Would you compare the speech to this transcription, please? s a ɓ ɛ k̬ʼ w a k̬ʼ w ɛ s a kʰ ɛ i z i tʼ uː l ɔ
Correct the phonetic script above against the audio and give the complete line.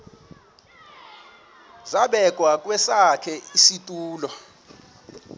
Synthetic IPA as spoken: z a ɓ ɛ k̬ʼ w a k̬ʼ w ɛ s a kʰ ɛ i s i tʼ uː l ɔ